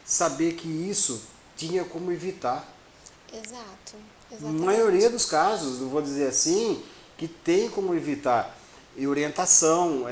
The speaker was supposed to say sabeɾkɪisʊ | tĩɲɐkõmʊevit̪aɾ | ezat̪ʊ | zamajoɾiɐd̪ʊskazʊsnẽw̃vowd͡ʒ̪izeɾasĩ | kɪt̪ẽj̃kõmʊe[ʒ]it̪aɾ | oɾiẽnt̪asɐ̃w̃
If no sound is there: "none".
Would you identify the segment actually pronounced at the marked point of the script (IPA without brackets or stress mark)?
v